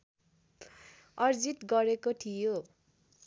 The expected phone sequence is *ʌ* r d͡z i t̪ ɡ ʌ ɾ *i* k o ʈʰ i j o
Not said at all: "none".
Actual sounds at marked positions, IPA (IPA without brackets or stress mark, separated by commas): ʌ, e